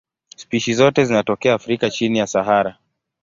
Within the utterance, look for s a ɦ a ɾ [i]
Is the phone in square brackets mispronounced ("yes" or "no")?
yes